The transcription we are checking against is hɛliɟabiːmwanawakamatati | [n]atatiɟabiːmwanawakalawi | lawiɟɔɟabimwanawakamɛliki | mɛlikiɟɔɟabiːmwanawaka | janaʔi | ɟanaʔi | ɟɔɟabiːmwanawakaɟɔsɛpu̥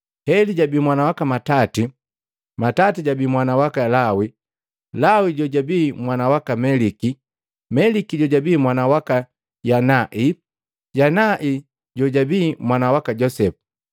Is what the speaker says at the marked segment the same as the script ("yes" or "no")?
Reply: no